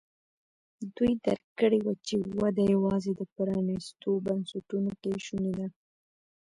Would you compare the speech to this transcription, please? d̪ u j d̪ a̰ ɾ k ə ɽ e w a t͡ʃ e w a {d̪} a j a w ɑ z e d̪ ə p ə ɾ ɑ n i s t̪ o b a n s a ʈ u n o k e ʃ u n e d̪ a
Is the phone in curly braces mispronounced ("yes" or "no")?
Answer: no